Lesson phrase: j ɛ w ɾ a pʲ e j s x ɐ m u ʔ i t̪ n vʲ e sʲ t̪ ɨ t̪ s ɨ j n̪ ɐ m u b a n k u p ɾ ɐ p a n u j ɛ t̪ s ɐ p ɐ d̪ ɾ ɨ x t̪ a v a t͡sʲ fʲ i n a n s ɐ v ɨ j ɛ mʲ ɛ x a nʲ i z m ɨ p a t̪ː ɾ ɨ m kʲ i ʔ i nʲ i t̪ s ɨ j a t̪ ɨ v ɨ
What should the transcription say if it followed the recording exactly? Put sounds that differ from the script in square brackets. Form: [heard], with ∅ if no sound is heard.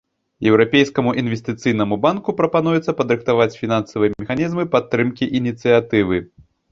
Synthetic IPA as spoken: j ɛ w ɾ a pʲ e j s [k] ɐ m u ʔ i [∅] n vʲ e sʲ t̪ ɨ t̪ s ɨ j n̪ ɐ m u b a n k u p ɾ ɐ p a n u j ɛ t̪ s ɐ p ɐ d̪ ɾ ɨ x t̪ a v a t͡sʲ fʲ i n a n s ɐ v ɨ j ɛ mʲ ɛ x a nʲ i z m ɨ p a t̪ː ɾ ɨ m kʲ i ʔ i nʲ i t̪ s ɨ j a t̪ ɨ v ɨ